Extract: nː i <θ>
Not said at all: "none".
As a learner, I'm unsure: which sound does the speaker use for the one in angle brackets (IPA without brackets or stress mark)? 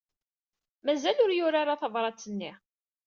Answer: none